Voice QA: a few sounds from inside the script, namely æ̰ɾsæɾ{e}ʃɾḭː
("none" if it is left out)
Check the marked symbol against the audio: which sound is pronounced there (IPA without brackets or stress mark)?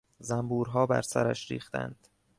æ